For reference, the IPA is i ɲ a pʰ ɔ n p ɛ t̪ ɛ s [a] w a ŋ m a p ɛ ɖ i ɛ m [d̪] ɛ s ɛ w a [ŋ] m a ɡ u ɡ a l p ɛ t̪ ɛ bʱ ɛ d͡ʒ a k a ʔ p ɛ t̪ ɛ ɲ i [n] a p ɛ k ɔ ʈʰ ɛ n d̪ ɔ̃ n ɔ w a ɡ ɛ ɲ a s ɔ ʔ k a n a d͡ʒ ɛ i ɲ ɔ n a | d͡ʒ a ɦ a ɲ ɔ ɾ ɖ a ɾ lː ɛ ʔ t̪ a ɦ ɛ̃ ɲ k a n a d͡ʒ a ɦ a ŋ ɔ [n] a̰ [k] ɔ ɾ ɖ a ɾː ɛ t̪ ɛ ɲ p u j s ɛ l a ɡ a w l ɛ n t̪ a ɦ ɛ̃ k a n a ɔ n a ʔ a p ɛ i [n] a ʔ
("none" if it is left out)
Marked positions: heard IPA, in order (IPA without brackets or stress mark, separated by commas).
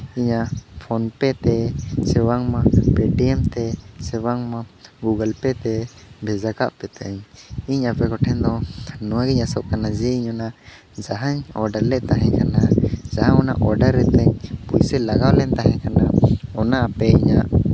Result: ɛ, t̪, ŋ, ɲ, n, ʔ, ɲ